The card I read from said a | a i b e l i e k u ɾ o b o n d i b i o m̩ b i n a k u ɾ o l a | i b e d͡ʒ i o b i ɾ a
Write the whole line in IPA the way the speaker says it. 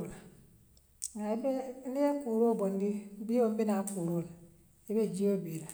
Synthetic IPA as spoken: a | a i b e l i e k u ɾ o b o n d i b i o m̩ b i n a k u ɾ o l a | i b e d͡ʒ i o b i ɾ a